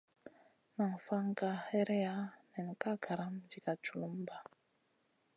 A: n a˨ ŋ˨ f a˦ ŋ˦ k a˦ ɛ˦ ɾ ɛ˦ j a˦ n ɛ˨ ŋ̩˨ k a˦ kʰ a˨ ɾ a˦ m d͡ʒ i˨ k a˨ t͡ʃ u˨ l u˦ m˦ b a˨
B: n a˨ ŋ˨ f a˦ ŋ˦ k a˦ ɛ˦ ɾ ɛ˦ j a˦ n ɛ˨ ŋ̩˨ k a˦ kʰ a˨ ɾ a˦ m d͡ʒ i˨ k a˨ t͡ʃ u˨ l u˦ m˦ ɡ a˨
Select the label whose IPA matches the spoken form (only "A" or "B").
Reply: A